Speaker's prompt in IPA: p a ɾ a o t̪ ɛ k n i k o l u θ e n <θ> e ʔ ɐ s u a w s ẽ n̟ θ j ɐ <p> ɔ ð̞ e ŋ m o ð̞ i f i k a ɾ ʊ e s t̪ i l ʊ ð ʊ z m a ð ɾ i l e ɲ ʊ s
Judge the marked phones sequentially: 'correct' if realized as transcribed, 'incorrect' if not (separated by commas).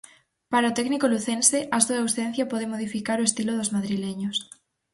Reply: incorrect, correct